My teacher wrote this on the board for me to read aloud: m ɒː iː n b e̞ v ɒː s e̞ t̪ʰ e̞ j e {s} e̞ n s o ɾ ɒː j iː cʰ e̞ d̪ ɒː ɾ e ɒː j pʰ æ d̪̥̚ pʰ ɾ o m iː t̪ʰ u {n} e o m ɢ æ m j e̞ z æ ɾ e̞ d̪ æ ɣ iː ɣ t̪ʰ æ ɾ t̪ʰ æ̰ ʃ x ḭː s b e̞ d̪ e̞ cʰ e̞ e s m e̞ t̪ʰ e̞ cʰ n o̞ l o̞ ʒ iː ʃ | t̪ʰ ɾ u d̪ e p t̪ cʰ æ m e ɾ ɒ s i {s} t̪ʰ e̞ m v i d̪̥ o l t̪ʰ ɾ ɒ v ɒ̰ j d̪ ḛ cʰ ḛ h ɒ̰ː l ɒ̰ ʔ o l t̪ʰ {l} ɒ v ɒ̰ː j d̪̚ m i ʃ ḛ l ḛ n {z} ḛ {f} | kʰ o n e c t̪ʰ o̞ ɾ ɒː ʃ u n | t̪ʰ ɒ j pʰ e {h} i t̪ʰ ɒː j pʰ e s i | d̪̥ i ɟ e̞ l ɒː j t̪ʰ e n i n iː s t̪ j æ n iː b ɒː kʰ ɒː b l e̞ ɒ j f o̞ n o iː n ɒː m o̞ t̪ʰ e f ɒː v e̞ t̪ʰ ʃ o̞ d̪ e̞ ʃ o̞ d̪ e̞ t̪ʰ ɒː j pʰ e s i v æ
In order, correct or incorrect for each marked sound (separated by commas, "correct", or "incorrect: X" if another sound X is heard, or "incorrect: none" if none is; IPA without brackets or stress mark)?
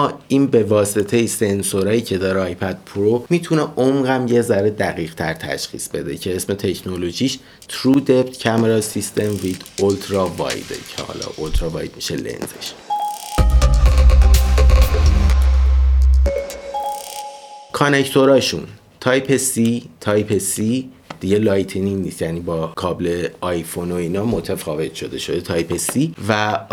correct, correct, correct, incorrect: ɾ, correct, incorrect: ʃ, incorrect: s